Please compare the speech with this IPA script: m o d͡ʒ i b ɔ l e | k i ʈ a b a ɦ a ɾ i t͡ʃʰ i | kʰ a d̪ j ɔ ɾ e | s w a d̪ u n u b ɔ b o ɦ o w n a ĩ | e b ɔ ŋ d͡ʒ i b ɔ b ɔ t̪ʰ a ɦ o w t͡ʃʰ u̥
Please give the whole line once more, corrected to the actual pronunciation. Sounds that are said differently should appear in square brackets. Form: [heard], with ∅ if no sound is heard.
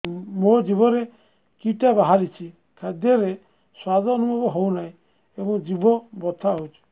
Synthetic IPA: m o d͡ʒ i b ɔ [ɾ] e | k i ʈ a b a ɦ a ɾ i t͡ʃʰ i | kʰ a d̪ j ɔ ɾ e | s w a d̪ [ɔ] n u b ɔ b [ɔ] ɦ o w n a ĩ | e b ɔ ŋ d͡ʒ i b ɔ b ɔ t̪ʰ a ɦ o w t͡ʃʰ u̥